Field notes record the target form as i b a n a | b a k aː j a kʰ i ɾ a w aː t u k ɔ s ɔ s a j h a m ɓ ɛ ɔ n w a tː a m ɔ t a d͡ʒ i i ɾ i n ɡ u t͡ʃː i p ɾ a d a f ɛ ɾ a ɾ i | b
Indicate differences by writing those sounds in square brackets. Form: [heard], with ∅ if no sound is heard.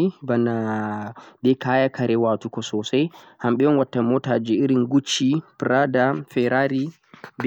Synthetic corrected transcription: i b a n a | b [ɛ] k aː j a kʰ [a] ɾ [ɛ] w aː t u k ɔ s ɔ s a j h a m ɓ ɛ ɔ n w a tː a m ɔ t a d͡ʒ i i ɾ i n ɡ u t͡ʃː i p ɾ a d a f ɛ ɾ a ɾ i | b